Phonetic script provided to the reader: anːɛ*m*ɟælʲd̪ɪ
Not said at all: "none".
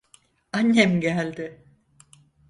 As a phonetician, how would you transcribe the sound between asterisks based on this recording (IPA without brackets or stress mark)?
m